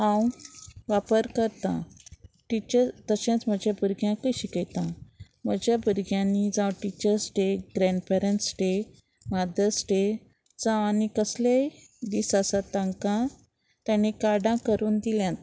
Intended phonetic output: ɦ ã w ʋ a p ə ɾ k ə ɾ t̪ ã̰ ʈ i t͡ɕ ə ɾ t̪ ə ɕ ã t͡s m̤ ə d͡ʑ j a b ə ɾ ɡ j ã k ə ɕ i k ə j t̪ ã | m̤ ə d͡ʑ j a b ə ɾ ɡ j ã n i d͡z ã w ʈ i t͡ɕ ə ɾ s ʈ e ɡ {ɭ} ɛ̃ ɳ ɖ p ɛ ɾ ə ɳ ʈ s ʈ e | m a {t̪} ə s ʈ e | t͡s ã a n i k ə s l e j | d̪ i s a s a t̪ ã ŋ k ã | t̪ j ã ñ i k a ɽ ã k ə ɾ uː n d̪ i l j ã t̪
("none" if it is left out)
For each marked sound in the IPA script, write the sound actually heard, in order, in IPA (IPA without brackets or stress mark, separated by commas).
ɾ, d̪